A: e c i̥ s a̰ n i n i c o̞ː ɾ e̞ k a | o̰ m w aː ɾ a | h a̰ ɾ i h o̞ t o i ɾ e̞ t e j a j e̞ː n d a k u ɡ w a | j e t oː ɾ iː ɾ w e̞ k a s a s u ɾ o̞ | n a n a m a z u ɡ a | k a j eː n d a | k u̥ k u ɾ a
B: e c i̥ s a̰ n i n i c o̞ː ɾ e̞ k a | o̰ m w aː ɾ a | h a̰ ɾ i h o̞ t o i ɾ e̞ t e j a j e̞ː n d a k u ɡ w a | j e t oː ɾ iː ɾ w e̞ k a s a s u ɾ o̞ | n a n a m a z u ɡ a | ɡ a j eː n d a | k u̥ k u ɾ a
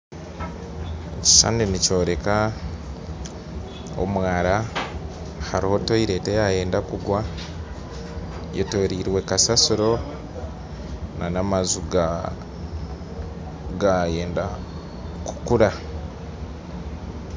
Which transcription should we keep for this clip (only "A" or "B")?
B